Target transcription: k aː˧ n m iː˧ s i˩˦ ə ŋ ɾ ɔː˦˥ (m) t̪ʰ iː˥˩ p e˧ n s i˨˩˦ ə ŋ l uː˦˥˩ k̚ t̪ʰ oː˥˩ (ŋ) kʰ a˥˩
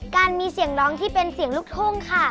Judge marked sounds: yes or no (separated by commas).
no, yes